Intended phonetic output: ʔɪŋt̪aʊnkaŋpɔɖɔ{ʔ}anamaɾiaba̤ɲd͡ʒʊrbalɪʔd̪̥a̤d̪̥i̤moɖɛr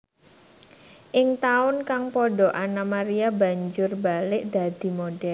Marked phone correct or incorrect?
correct